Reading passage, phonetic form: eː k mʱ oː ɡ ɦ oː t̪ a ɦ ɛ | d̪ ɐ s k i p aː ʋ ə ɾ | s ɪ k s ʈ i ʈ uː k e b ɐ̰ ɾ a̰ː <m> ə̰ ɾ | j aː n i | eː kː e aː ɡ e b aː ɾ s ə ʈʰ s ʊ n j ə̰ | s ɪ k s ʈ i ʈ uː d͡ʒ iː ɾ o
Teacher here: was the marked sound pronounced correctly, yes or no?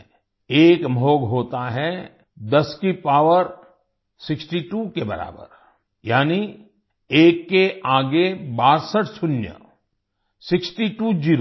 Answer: no